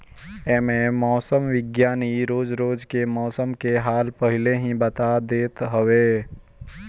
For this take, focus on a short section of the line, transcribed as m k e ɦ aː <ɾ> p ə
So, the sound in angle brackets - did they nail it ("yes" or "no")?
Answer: no